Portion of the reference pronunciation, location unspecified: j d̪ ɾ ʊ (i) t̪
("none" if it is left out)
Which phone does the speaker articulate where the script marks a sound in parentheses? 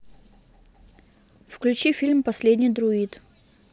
i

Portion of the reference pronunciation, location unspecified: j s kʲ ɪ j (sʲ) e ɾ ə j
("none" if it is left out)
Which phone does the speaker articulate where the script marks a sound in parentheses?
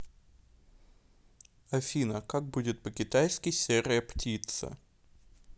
sʲ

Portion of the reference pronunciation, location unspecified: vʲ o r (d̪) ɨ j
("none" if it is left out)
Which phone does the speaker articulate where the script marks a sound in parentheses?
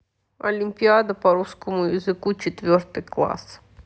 t̪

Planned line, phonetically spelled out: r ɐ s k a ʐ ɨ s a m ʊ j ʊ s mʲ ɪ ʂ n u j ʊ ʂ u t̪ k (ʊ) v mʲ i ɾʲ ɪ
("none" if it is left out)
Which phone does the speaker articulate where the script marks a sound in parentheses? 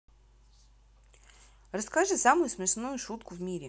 ʊ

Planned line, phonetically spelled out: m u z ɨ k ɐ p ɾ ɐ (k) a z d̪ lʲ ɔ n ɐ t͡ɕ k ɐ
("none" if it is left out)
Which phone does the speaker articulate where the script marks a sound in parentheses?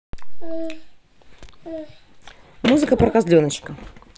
k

